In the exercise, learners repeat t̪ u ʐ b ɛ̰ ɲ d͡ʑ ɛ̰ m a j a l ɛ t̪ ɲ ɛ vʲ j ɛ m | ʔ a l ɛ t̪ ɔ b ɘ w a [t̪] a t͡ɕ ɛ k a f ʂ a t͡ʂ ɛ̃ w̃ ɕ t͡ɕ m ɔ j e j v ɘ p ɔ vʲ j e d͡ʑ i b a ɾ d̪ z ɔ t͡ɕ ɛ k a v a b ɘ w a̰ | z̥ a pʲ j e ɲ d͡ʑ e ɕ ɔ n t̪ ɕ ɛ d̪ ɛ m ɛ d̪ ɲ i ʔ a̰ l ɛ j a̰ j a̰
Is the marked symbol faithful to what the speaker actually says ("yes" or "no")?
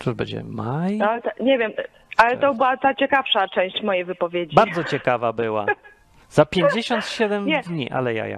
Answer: yes